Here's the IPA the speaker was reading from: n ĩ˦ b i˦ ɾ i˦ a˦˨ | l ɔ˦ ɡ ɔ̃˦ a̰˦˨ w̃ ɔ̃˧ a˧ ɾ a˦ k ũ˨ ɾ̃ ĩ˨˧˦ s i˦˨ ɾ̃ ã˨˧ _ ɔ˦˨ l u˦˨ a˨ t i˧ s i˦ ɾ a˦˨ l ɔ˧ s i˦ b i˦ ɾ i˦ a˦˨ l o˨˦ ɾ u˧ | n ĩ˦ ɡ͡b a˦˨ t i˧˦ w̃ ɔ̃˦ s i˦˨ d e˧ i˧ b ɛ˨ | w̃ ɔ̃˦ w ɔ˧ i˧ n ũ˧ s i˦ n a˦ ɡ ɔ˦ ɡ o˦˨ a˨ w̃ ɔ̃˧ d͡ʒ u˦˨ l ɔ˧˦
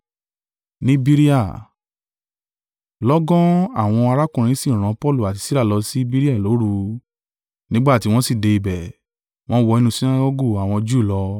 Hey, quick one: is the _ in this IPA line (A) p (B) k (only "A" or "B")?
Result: A